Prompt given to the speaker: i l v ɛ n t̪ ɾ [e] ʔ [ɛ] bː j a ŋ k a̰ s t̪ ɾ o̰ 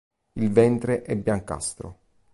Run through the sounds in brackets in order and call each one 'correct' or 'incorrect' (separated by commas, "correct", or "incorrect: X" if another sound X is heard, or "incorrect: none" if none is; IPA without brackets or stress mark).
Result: correct, correct